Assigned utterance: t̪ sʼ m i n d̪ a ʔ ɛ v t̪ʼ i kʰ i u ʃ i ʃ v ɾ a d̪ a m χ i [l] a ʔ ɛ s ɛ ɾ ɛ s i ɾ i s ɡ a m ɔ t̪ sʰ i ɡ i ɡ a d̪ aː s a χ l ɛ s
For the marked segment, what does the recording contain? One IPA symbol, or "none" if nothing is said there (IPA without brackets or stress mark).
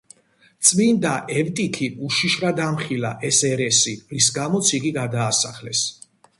l